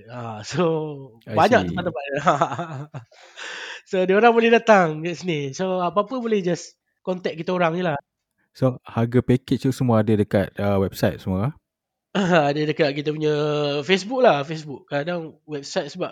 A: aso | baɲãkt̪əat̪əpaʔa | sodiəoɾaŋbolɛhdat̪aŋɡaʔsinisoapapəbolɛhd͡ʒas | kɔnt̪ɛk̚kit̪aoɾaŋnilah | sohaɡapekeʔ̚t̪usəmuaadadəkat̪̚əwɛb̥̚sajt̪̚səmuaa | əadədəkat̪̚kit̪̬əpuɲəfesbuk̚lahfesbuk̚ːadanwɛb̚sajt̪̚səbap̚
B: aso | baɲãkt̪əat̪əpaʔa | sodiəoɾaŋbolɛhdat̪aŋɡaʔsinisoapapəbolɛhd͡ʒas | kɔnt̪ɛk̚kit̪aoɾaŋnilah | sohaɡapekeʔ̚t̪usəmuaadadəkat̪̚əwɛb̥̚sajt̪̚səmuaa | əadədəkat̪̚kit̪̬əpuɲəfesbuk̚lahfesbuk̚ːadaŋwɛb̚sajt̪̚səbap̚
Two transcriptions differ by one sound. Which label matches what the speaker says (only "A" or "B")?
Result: B